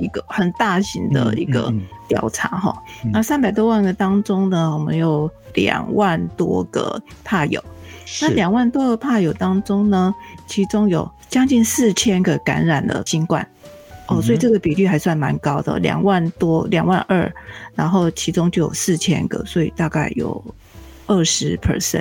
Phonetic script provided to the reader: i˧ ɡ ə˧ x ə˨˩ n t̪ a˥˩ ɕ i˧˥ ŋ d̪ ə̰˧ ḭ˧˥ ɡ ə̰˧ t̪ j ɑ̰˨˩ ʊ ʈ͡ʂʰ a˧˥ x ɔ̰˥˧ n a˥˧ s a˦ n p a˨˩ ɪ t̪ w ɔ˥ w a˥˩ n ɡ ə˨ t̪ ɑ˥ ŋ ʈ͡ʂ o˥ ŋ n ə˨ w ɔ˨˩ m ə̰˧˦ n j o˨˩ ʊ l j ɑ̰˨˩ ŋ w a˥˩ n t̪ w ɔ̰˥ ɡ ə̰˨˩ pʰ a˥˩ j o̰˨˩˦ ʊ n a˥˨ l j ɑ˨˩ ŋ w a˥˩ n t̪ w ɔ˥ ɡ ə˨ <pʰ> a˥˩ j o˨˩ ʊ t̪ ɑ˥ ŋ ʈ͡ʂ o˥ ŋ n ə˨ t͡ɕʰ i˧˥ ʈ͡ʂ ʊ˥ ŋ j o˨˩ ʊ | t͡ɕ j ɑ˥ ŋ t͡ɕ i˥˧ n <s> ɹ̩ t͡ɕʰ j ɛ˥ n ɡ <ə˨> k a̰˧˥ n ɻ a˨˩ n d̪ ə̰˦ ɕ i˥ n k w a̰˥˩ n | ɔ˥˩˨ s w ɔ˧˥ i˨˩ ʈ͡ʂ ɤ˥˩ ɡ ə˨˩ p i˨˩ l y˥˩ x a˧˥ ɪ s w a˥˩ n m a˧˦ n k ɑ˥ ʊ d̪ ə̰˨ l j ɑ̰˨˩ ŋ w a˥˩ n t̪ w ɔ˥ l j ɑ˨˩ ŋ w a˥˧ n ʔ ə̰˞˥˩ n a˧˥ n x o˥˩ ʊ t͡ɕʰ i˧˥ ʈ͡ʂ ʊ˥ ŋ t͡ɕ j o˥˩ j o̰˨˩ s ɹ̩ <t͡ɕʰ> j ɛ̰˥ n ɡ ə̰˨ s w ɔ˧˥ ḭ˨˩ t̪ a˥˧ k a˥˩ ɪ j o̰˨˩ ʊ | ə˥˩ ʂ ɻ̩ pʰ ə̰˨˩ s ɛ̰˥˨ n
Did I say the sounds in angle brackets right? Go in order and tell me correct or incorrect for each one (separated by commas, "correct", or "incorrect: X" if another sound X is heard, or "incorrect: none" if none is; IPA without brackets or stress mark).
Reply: correct, correct, correct, correct